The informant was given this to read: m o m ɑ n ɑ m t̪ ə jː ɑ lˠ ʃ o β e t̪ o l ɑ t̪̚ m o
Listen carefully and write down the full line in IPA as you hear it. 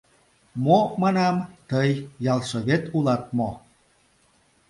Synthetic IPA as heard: m o m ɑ n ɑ m t̪ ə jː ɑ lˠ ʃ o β e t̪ u l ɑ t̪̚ m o